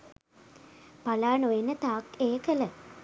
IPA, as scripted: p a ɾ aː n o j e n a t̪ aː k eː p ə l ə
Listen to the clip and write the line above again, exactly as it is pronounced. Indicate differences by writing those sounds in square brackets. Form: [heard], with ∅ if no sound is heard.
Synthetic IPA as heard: p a [l] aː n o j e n [ə] t̪ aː k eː [k] ə l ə